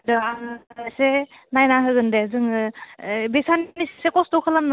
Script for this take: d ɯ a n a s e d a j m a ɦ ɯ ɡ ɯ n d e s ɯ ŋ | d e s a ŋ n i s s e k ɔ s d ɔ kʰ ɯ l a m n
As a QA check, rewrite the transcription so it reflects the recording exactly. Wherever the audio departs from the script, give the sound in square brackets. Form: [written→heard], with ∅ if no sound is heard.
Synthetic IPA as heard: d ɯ a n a s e [d→n] a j [m→n] a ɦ ɯ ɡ ɯ n d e [s→z] ɯ ŋ | [d→b] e s a [ŋ→n] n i s s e k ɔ s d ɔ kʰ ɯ l a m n